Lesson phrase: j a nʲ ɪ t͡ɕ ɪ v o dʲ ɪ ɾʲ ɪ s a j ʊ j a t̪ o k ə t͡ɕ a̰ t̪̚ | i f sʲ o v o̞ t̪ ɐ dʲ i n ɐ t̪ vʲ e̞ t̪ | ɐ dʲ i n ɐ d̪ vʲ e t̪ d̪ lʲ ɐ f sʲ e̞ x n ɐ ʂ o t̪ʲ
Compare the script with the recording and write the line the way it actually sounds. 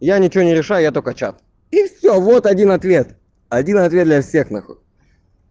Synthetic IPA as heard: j a nʲ ɪ t͡ɕ ɪ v o nʲ ɪ ɾʲ ɪ ʂ a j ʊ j a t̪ o k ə t͡ɕ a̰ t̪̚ | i f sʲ o v o̞ t̪ ɐ dʲ i n ɐ t̪ vʲ e̞ t̪ | ɐ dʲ i n ɐ t̪ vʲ e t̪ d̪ lʲ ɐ f sʲ e̞ x n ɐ x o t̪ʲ

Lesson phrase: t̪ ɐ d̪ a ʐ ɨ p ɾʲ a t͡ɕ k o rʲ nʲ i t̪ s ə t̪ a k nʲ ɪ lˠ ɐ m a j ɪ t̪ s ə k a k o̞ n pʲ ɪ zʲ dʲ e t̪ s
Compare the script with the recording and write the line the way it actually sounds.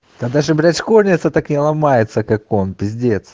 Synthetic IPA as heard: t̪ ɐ d̪ a ʐ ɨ b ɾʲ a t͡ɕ k o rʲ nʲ ɪ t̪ s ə t̪ a k nʲ ɪ lˠ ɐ m a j ɪ t̪ s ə k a k o̞ n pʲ ɪ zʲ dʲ e t̪ s

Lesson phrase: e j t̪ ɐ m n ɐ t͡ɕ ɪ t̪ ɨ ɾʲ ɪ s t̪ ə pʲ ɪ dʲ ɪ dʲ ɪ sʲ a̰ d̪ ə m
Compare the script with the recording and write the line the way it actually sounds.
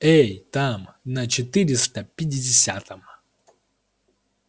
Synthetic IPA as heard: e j t̪ a m n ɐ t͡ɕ ɪ t̪ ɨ ɾʲ ɪ s t̪ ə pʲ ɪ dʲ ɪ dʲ ɪ sʲ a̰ t̪ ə m

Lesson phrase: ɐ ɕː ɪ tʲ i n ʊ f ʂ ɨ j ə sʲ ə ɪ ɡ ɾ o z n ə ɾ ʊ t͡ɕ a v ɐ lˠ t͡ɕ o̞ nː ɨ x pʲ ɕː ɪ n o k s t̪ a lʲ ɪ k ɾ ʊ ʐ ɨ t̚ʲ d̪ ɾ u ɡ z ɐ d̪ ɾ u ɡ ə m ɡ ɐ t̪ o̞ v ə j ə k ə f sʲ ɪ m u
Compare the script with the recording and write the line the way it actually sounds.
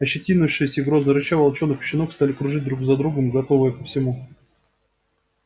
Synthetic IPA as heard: ɐ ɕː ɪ tʲ i n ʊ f ʂ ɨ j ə sʲ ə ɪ ɡ ɾ o z n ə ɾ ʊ t͡ɕ a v ɐ lˠ t͡ɕ o̞ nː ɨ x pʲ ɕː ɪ n o k s t̪ a lʲ ɪ k ɾ ʊ ʐ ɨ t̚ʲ d̪ ɾ u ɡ z ɐ d̪ ɾ u ɡ ə m ɡ ɐ t̪ o̞ v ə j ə k ə f sʲ ɪ m u

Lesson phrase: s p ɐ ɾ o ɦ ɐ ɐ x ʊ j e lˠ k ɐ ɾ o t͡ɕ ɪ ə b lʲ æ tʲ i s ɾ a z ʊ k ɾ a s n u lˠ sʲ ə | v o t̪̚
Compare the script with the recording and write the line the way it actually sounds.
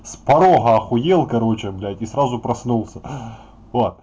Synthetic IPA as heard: s p ɐ ɾ o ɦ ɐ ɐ x ʊ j e lˠ k ɐ ɾ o t͡ɕ ɪ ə b lʲ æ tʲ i s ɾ a z ʊ p ɾ ɐ s n u lˠ sʲ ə | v o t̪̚

